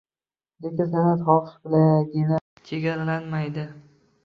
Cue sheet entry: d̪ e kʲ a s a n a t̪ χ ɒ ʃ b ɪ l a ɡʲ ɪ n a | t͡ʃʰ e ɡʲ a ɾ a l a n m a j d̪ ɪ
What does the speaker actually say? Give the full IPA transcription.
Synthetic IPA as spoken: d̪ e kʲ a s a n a t̪ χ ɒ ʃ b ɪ l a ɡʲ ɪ n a | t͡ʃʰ e ɡʲ a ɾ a l a n m a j d̪ ɪ